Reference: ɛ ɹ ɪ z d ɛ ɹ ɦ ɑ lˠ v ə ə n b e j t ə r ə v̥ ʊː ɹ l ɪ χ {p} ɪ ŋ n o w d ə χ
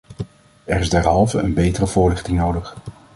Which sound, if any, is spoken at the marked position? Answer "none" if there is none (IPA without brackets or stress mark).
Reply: t